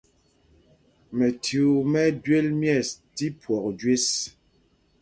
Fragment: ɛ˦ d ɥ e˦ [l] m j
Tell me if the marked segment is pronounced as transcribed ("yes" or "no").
yes